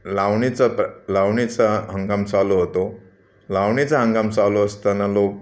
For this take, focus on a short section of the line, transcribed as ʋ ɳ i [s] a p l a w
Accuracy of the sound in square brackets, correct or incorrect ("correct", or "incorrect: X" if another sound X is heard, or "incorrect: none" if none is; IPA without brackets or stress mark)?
incorrect: t͡s